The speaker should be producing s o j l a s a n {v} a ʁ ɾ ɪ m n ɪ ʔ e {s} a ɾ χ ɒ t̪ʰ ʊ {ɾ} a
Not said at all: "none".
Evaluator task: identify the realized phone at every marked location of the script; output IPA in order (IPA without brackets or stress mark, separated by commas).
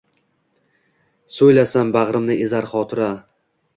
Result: b, z, ɾ